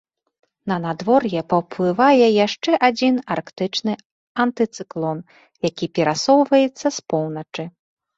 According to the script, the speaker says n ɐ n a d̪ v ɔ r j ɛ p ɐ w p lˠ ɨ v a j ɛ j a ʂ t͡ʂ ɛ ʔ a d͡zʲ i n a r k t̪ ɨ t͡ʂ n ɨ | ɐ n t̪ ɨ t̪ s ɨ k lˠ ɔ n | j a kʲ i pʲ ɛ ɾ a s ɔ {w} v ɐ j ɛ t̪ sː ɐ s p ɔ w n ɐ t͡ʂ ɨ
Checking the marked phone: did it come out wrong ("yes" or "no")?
no